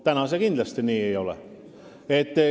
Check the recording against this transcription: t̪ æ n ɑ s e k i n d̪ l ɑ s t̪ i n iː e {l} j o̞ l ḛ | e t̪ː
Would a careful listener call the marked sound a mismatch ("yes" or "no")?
yes